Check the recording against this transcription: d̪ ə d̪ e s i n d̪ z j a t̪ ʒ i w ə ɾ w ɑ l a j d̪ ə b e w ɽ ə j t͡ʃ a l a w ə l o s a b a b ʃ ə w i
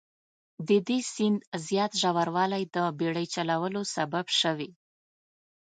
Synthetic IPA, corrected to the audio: d̪ ə d̪ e s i n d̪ z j ɑ t̪ ʒ a w a ɾ w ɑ l a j d̪ ə b e ɽ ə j t͡ʃ a l a w ə l o s a b a b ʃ ə w i

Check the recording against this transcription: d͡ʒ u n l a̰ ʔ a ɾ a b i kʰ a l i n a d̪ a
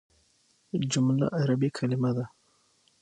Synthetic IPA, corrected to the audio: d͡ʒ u m l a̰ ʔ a ɾ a b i kʰ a l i m a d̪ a

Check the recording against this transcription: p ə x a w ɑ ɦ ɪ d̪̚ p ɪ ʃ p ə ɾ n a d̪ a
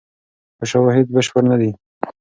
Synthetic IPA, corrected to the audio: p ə ʃ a w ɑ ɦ ɪ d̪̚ b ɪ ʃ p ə ɾ n a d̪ i

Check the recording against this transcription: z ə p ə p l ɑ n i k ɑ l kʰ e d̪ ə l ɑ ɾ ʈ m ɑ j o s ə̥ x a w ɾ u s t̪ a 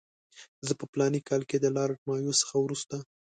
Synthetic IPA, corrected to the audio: z ə p ə p l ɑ n i k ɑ l k e d̪ ə l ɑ ɾ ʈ m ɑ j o s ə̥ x a w ɾ u s t̪ a

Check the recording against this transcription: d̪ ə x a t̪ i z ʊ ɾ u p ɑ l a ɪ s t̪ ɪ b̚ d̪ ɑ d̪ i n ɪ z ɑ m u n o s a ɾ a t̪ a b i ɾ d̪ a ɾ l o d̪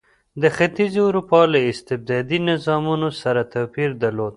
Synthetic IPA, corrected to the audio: d̪ ə x a t̪ i z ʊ ɾ u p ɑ l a ɪ s t̪ ɪ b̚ d̪ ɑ d̪ i n ɪ z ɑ m u n o s a ɾ a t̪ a p i ɾ d̪ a ɾ l o d̪

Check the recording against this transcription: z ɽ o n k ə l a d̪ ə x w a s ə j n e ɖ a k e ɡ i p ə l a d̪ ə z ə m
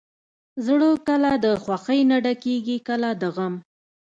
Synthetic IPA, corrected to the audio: z ɽ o k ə l a d̪ ə x w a x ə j n a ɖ a k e ɡ i k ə l a d̪ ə ɣ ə m

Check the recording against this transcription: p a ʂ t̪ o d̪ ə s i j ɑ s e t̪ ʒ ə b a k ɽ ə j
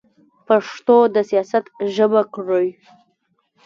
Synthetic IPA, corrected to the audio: p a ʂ t̪ o d̪ ə s i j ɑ s a t̪ ʒ ə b a k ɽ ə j

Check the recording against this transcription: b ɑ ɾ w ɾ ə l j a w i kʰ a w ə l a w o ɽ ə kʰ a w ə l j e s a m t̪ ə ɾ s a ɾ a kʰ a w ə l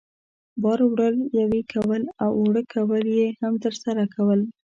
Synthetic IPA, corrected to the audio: b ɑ ɾ w ɽ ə l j a w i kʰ a w ə l a w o ɽ ə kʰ a w ə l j e h a m t̪ ə ɾ s a ɾ a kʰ a w ə l

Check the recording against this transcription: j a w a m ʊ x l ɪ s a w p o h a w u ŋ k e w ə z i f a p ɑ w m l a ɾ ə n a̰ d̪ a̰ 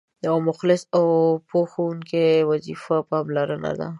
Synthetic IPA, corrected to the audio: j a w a m ʊ x l ɪ s a w p o x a w u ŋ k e w a z i f a p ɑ m l a ɾ ə n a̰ d̪ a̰

